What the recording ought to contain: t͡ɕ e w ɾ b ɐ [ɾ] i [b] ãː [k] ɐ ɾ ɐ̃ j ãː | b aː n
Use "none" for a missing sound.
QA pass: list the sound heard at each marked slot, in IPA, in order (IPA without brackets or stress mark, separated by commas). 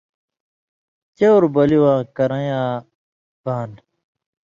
l, w, k